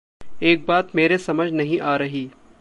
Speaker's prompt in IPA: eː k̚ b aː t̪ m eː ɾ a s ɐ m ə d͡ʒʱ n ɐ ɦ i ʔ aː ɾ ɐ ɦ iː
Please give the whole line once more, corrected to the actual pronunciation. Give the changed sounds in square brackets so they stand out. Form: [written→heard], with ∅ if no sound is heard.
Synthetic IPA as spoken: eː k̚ b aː t̪ m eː ɾ [a→e] s ɐ m ə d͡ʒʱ n ɐ ɦ [i→ĩ] ʔ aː ɾ ɐ ɦ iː